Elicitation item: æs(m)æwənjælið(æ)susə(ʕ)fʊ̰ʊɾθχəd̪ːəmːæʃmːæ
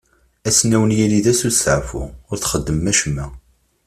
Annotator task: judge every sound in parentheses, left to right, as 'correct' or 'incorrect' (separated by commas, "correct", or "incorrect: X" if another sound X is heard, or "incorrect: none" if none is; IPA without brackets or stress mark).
incorrect: n, correct, correct